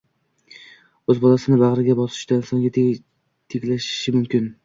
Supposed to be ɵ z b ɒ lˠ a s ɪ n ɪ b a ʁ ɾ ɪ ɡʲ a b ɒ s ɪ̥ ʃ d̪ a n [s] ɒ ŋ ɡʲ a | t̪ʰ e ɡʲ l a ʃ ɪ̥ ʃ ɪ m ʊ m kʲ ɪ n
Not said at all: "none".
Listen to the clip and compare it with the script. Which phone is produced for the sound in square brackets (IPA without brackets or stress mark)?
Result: s